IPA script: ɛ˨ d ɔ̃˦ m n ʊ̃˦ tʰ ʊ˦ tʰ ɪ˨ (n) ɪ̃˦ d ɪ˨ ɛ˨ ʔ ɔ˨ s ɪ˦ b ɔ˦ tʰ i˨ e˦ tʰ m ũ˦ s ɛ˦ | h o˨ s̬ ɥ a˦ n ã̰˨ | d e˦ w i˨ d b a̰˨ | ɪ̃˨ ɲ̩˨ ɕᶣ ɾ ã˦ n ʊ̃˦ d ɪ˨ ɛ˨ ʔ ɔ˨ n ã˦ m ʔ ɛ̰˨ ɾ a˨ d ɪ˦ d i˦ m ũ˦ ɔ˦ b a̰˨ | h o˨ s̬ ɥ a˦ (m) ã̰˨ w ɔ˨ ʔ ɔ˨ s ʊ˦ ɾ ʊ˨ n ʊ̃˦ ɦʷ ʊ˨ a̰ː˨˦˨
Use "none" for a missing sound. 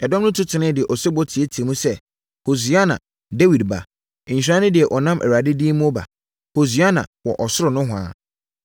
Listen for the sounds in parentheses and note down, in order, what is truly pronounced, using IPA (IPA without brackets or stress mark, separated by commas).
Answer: n, n